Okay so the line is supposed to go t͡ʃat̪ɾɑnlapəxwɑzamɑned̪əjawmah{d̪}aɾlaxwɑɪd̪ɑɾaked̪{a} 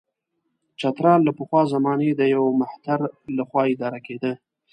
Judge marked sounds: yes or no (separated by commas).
no, no